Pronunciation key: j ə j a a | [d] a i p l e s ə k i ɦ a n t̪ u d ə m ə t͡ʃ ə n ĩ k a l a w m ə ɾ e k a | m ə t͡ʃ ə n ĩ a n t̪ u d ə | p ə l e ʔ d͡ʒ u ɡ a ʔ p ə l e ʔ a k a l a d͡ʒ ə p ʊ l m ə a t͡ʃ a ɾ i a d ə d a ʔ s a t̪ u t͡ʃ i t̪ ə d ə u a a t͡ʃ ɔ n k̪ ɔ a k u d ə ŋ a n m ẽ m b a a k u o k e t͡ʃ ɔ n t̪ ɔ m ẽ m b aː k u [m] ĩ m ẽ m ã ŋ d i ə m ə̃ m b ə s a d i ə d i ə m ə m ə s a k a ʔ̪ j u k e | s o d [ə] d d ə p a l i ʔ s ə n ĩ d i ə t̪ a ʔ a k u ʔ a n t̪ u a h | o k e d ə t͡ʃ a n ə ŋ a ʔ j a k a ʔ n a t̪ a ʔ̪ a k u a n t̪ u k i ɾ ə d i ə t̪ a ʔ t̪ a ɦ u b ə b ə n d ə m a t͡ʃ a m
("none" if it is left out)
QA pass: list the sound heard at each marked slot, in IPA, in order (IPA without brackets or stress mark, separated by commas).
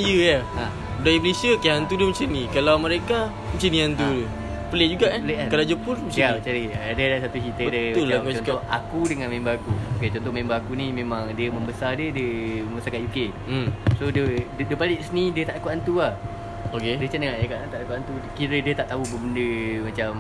d, n, ə